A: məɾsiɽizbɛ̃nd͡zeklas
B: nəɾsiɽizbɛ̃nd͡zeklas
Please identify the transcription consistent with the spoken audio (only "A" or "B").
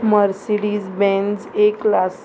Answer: A